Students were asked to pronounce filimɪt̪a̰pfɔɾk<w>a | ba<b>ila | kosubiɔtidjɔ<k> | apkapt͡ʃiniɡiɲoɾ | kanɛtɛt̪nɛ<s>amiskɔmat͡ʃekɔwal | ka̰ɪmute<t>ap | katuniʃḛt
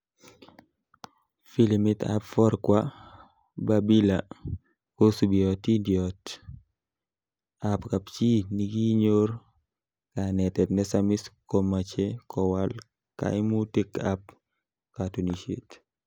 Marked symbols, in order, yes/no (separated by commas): yes, yes, no, yes, no